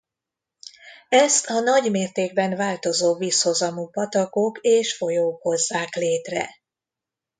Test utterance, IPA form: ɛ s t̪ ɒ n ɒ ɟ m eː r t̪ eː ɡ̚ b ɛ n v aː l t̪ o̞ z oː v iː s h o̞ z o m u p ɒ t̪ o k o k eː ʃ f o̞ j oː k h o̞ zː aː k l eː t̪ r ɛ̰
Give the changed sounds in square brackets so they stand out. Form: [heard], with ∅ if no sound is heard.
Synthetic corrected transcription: ɛ s t̪ ɒ n ɒ ɟ m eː r t̪ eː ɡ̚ b ɛ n v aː l t̪ o̞ z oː v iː s h o̞ z [ɒ] m u p ɒ t̪ [ɒ] k o k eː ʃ f o̞ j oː k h o̞ zː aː k l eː t̪ r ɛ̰